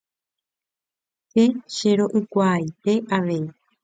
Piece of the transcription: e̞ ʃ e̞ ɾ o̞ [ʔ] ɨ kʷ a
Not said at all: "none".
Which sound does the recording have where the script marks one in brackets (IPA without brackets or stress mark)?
ʔ